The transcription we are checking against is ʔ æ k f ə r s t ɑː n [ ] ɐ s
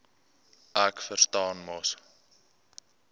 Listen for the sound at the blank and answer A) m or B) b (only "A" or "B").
A